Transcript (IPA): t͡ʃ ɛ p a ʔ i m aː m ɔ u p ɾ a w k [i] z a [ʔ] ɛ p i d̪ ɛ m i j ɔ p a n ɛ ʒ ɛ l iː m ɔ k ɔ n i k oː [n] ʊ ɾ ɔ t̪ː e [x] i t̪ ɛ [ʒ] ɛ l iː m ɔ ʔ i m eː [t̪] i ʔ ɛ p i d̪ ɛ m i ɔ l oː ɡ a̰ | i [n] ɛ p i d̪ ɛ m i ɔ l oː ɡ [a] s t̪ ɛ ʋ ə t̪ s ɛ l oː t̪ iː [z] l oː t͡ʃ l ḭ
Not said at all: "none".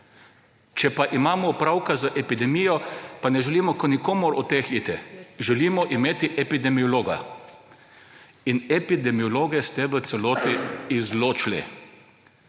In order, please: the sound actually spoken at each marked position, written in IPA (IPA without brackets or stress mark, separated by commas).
a, ʔ, m, x, ʒ, t̪, n, ɛ, z